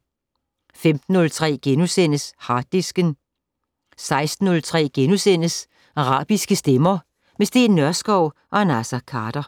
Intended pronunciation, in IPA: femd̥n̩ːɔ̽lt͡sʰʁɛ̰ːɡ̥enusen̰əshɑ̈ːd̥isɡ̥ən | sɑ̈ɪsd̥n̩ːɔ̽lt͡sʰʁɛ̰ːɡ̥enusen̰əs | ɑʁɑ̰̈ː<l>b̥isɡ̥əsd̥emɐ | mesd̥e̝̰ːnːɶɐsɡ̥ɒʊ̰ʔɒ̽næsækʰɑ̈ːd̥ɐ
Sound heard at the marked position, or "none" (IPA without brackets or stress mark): none